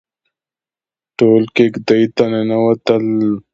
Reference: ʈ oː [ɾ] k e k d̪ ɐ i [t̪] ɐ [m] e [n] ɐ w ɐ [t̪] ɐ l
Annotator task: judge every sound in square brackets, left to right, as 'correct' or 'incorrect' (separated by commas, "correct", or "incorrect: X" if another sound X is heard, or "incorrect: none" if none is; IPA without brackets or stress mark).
incorrect: l, correct, incorrect: n, correct, correct